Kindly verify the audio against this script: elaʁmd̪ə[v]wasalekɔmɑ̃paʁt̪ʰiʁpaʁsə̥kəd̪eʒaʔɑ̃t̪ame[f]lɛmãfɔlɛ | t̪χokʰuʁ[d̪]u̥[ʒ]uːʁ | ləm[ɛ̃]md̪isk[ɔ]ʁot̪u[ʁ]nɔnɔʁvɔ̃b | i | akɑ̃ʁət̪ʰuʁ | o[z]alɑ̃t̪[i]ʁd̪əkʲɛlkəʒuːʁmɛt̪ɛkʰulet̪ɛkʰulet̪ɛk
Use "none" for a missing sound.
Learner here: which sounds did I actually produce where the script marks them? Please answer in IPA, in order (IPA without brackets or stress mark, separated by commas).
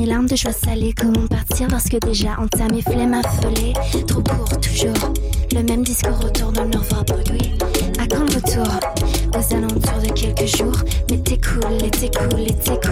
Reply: ʒ, f, t̪, ʒ, ɛ, u, ʁ, z, y